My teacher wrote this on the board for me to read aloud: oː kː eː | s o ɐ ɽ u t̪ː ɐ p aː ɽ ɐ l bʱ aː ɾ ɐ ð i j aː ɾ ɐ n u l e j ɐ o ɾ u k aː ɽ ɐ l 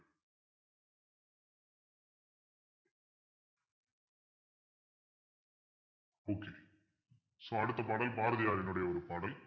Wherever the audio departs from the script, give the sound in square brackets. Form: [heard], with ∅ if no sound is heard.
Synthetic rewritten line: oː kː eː | s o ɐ ɽ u t̪ː ɐ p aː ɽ ɐ l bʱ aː ɾ ɐ ð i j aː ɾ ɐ n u [ɽ] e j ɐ o ɾ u [p] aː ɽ ɐ l